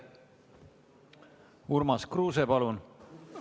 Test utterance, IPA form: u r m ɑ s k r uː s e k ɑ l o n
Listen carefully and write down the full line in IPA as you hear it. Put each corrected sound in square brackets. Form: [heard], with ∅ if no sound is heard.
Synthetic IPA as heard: u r m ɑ s k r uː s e [p] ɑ l [u] n